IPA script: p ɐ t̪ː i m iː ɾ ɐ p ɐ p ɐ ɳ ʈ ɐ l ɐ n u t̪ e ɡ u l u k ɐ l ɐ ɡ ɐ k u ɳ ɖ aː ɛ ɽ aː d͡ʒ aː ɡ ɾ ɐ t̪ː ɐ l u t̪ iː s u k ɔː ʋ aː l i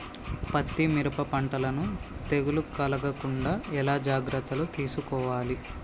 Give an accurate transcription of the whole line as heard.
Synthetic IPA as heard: p ɐ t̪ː i m i ɾ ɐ p ɐ p ɐ ɳ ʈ ɐ l ɐ n u t̪ e ɡ u l u k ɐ l ɐ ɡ ɐ k u ɳ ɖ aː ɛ l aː d͡ʒ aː ɡ ɾ ɐ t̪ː ɐ l u t̪ iː s u k ɔː ʋ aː l i

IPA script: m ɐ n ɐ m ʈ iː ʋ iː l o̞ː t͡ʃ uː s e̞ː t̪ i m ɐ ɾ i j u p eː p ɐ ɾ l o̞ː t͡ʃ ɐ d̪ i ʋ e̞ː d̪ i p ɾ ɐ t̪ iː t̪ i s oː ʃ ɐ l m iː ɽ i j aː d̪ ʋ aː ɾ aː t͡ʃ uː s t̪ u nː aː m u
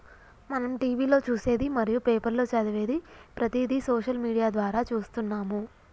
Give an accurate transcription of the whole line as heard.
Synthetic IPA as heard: m ɐ n ɐ m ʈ iː ʋ iː l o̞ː t͡ʃ uː s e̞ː d̪ i m ɐ ɾ i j u p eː p ɐ ɾ l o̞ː t͡ʃ ɐ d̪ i ʋ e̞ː d̪ i p ɾ ɐ t̪ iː d̪ i s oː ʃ ɐ l m iː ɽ i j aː d̪ ʋ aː ɾ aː t͡ʃ uː s t̪ u nː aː m u

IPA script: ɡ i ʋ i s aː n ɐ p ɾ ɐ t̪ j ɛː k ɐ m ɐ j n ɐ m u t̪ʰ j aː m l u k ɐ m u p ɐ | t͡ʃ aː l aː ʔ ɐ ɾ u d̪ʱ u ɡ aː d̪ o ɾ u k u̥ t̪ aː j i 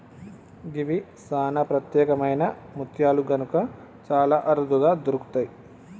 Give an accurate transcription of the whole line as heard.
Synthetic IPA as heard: ɡ i ʋ i s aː n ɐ p ɾ ɐ t̪ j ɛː k ɐ m ɐ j n ɐ m u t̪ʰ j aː l u ɡ ɐ n u k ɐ | t͡ʃ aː l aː ʔ ɐ ɾ u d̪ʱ u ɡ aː d̪ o ɾ u k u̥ t̪ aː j i

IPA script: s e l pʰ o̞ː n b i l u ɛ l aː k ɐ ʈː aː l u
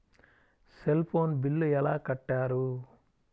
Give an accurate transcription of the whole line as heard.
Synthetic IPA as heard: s e l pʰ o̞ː n b i lː u ɛ l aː k ɐ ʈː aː ɾ u

